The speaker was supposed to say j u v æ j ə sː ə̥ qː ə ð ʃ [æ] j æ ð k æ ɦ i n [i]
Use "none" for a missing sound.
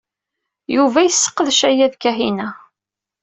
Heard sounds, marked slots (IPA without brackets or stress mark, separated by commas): æ, æ